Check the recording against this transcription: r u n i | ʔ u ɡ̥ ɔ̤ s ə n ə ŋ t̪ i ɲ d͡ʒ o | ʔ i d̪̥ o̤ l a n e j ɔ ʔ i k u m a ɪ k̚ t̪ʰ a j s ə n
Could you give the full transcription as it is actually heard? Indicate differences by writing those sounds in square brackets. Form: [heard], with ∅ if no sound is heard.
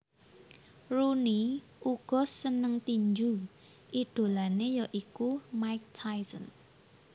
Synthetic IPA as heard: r u n i | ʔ u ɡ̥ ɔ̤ s ə n ə ŋ t̪ i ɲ d͡ʒ [u] | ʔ i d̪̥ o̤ l a n e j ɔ ʔ i k u m a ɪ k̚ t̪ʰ a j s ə n